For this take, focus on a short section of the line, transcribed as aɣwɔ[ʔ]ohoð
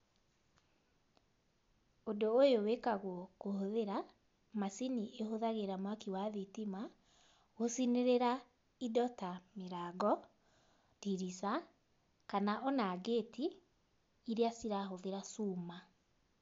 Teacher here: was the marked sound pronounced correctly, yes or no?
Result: no